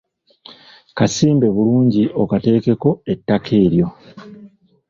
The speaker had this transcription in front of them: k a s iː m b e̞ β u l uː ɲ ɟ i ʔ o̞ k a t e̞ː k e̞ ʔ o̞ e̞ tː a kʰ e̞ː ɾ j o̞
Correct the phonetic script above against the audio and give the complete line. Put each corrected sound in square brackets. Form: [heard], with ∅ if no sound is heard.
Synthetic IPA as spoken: k a s iː m b e̞ β u l uː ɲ ɟ i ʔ o̞ k a t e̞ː k e̞ [k] o̞ e̞ tː a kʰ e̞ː ɾ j o̞